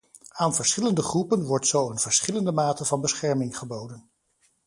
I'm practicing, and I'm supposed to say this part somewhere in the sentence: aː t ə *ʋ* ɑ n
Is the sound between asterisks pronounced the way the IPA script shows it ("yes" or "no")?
no